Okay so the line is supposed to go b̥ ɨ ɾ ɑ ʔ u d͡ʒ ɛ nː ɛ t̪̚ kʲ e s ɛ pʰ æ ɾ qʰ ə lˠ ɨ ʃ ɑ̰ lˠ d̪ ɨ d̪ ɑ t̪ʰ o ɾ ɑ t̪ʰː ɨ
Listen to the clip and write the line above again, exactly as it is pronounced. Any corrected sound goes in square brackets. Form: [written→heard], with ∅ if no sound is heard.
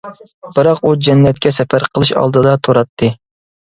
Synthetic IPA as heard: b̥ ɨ ɾ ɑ [ʔ→q] u d͡ʒ ɛ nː ɛ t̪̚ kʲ [e→ɛ] s ɛ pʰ æ ɾ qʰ ə lˠ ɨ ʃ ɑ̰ lˠ d̪ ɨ d̪ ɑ t̪ʰ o ɾ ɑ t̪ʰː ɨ